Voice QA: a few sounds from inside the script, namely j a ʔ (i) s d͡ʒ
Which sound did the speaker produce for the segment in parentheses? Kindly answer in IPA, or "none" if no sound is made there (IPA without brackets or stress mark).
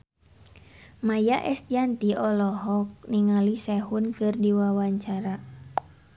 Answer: ɛ